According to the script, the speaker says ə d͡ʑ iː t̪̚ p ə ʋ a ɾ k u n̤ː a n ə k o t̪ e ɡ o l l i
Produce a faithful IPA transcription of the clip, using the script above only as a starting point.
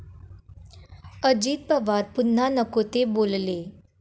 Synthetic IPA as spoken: ə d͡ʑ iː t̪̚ p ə ʋ a ɾ p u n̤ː a n ə k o t̪ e b o l l e